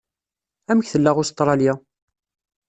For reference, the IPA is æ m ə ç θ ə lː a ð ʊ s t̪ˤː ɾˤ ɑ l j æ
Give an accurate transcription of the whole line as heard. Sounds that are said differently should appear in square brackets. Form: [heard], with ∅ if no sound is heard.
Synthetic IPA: æ m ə ç θ ə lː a [ʁ] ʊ s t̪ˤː ɾˤ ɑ l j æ

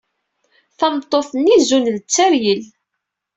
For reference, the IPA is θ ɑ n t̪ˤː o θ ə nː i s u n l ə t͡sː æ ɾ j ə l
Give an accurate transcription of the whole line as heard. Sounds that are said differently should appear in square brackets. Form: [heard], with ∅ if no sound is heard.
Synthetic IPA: θ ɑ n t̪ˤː o θ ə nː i [z] u n l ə t͡sː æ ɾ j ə l

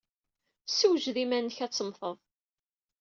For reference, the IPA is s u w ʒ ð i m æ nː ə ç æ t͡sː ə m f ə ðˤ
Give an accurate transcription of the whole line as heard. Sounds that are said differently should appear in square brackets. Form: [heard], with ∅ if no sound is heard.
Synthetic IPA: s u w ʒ ð i m æ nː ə ç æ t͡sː ə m [θ] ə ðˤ

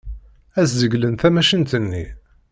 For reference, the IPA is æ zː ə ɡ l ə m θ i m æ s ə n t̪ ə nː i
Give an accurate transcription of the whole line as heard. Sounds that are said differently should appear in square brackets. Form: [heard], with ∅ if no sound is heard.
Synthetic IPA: æ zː ə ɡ l ə [n] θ [æ] m æ [ʃ] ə n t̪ ə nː i

